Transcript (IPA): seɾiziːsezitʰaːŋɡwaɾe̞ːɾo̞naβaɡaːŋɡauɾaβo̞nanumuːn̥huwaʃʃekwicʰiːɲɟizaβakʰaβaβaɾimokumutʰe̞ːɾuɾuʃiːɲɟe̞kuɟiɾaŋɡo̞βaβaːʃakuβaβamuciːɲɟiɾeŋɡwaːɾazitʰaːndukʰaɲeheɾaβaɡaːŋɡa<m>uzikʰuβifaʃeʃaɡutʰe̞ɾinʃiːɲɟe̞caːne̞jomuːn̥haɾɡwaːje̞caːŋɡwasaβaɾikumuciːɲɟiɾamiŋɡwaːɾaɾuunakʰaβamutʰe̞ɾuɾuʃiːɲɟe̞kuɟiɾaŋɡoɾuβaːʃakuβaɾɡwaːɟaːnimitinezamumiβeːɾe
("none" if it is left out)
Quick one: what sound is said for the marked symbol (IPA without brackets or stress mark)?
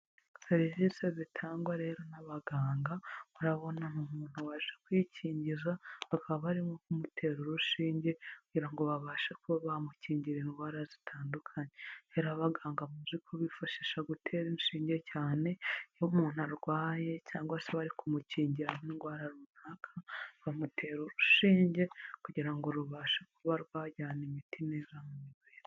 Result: m